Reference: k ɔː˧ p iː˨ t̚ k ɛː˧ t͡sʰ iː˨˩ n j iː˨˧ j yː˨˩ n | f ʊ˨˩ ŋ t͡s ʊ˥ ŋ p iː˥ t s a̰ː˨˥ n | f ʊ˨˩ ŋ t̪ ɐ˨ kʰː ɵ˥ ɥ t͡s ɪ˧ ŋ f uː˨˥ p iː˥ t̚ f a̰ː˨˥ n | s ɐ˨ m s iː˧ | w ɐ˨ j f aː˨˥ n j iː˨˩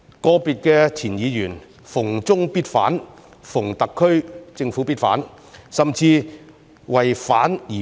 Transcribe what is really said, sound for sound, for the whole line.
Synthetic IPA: k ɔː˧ p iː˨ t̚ k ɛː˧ t͡sʰ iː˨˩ n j iː˨˧ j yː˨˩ n | f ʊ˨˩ ŋ t͡s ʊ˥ ŋ p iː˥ t f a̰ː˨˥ n | f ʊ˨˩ ŋ t̪ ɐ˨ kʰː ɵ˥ ɥ t͡s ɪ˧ ŋ f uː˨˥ p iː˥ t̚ f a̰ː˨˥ n | s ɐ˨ m t͡s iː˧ | w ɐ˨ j f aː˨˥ n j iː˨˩